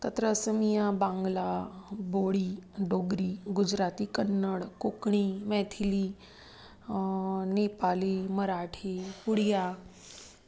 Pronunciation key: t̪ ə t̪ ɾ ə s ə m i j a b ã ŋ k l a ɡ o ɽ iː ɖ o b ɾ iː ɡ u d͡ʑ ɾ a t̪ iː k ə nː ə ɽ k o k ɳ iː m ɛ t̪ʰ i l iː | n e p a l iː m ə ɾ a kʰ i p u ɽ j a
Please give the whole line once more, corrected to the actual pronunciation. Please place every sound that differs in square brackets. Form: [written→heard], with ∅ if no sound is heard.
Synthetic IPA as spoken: t̪ ə t̪ ɾ ə s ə m i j a b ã ŋ [k→ɡ] l a [ɡ→b] o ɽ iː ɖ o [b→ɡ] ɾ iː ɡ u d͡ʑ ɾ a t̪ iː k ə nː ə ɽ k o k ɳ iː m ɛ t̪ʰ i l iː | n e p a l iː m ə ɾ a [kʰ→ʈʰ] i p u ɽ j a